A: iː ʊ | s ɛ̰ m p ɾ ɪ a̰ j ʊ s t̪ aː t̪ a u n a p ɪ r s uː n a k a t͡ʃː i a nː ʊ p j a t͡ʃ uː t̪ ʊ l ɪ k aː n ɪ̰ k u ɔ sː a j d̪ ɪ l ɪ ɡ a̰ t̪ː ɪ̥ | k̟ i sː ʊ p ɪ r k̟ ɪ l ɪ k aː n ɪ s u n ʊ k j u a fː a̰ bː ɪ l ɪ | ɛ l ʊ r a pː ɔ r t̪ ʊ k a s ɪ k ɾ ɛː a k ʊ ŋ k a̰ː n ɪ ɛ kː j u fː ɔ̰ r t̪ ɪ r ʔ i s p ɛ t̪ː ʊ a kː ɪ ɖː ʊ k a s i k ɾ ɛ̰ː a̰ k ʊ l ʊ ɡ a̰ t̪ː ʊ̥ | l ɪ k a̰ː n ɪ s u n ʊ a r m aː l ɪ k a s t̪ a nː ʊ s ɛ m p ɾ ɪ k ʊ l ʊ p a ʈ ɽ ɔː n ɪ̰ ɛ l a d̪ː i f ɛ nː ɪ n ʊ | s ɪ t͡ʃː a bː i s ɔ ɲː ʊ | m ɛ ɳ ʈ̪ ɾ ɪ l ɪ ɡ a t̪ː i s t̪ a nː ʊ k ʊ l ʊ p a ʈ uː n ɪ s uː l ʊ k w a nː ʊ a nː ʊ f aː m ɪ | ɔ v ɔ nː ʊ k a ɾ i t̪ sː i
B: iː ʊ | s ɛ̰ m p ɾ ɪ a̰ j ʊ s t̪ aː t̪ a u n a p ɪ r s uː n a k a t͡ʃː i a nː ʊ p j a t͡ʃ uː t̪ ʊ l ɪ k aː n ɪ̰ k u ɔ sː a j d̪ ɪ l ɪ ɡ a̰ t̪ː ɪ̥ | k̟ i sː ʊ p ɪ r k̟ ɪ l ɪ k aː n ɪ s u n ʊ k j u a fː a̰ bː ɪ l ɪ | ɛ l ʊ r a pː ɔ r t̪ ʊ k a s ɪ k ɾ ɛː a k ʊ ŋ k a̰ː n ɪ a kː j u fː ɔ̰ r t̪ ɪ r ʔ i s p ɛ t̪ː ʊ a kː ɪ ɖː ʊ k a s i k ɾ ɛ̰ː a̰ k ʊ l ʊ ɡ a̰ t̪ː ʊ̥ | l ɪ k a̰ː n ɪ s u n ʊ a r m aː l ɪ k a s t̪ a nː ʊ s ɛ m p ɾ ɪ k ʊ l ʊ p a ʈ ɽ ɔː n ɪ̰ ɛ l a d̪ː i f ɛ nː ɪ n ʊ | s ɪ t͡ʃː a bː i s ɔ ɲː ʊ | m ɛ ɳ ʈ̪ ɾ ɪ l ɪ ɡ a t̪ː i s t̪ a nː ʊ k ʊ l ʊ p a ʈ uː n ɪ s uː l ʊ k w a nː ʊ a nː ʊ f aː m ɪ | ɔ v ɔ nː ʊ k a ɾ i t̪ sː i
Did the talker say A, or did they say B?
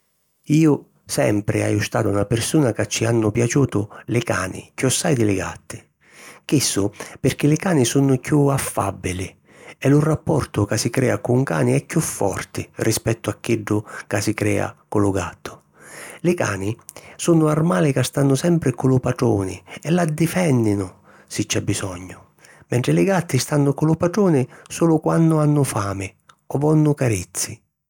A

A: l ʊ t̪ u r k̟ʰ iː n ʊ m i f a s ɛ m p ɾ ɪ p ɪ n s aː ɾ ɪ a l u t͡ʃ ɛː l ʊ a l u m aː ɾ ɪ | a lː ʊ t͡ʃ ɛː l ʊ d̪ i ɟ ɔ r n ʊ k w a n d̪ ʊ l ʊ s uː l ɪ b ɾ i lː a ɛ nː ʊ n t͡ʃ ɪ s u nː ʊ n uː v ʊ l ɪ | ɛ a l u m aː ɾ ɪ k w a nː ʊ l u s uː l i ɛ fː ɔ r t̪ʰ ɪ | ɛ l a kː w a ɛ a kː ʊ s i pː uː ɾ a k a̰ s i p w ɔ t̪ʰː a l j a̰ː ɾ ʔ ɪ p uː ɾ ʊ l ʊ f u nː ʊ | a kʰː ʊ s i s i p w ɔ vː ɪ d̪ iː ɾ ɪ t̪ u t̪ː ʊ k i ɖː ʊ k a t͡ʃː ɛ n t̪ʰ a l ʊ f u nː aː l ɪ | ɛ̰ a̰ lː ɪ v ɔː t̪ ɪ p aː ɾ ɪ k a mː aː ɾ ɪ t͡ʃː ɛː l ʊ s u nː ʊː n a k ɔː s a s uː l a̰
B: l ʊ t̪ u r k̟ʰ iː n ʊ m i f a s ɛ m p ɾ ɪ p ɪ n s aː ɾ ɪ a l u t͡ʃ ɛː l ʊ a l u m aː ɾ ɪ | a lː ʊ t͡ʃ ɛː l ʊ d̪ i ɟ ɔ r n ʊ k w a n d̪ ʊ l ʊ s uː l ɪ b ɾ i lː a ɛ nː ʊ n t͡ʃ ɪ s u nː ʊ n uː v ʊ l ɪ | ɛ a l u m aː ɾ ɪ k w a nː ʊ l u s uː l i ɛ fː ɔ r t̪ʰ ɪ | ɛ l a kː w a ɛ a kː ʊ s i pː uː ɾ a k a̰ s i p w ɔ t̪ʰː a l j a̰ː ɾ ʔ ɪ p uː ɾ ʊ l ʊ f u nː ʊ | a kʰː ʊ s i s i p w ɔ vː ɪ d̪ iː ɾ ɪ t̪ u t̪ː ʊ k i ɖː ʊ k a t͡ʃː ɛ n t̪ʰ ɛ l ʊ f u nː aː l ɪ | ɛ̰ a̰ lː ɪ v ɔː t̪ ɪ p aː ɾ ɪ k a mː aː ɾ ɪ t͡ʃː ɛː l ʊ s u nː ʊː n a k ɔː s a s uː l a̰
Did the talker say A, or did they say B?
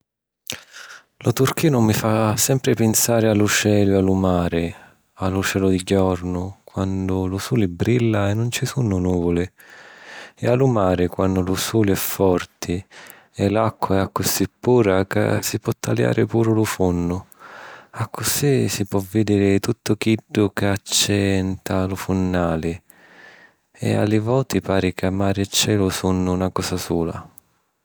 A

